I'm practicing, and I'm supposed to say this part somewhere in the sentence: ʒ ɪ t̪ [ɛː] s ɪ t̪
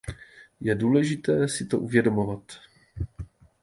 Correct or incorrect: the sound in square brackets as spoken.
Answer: correct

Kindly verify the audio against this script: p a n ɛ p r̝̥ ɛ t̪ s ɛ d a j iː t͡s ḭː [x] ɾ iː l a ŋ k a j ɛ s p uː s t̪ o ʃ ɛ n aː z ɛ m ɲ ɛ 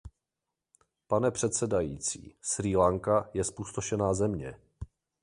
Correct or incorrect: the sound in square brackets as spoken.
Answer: incorrect: s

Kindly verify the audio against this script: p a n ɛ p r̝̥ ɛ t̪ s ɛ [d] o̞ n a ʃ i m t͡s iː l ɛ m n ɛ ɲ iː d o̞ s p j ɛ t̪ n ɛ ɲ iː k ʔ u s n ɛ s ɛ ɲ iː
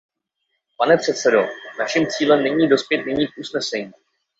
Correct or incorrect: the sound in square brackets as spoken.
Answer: correct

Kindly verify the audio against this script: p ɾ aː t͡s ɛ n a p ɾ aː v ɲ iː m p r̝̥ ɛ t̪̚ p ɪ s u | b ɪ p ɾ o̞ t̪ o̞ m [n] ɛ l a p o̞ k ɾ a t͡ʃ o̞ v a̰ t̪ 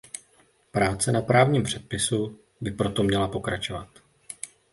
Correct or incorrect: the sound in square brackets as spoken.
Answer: incorrect: ɲ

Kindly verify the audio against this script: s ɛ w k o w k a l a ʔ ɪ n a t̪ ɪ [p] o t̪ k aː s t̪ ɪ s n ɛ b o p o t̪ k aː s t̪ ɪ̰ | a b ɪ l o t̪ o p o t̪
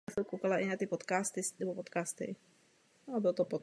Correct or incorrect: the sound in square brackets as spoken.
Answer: correct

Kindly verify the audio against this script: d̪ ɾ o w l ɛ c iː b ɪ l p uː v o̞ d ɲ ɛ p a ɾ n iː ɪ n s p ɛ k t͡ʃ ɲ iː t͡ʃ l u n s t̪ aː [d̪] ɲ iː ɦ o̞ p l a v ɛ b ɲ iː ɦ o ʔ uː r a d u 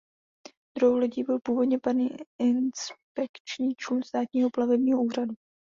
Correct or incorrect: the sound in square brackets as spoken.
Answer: incorrect: t̪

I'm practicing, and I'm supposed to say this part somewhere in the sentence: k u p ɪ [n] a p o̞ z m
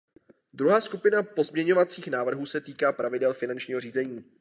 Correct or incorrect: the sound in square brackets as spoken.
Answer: correct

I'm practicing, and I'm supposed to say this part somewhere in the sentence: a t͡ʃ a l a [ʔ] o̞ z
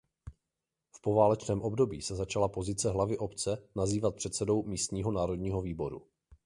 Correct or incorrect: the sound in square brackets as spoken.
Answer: incorrect: p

